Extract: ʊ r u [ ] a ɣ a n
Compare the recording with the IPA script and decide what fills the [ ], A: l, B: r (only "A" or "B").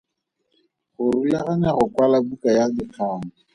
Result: A